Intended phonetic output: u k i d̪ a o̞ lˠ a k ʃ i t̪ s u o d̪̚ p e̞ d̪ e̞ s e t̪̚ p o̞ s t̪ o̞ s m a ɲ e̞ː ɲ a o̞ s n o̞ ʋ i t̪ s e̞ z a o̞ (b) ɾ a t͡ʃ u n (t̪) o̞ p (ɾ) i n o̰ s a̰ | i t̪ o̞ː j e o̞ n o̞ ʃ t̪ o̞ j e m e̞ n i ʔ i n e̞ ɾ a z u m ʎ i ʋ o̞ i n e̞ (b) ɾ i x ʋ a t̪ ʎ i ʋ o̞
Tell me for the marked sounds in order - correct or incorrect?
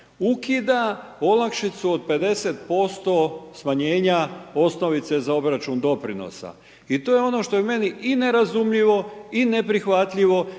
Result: correct, incorrect, correct, incorrect

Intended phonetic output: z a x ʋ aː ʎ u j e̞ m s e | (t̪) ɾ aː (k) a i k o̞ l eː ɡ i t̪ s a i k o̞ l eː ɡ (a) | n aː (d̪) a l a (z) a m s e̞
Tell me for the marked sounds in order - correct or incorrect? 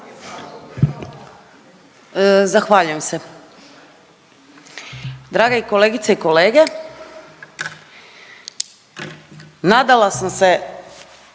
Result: incorrect, incorrect, incorrect, correct, incorrect

